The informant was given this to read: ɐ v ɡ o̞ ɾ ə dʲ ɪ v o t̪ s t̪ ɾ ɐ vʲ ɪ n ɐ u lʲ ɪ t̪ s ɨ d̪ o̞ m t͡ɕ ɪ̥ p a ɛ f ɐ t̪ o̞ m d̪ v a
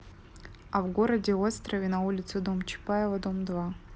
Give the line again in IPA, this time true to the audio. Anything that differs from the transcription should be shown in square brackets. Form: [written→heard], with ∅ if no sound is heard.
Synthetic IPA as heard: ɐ v ɡ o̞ ɾ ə dʲ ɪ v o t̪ s t̪ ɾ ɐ vʲ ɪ n ɐ u lʲ ɪ t̪ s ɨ d̪ o̞ m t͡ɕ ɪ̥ p a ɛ [f→v] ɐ [t̪→d̪] o̞ m d̪ v a